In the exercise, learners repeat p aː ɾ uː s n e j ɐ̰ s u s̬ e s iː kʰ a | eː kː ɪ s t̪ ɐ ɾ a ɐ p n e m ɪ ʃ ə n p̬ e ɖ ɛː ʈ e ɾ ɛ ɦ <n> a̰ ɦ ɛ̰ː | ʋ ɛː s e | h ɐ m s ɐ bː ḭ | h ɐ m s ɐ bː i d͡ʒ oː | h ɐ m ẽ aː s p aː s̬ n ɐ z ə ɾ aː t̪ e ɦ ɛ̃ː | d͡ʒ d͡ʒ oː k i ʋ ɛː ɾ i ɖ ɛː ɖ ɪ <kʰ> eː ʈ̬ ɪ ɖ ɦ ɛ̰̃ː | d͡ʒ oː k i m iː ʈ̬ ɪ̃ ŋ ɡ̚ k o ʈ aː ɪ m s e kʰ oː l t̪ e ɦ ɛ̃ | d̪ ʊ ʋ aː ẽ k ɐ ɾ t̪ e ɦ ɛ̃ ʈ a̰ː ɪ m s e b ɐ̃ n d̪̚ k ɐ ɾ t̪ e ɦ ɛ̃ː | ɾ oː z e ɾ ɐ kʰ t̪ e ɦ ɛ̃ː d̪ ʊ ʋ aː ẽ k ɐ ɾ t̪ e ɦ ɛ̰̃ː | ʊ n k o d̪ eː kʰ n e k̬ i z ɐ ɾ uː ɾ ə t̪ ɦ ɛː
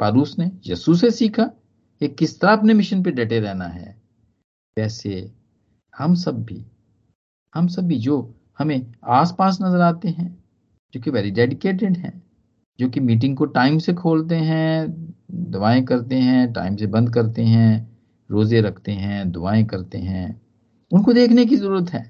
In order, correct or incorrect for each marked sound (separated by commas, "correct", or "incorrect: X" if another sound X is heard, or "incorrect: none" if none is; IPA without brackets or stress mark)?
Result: correct, incorrect: k